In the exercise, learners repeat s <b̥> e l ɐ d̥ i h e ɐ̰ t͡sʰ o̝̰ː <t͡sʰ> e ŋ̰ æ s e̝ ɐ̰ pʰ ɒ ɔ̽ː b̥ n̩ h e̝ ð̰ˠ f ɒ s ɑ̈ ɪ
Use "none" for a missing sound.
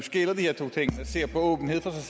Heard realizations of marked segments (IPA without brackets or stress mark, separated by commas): ɡ̥, t͡sʰ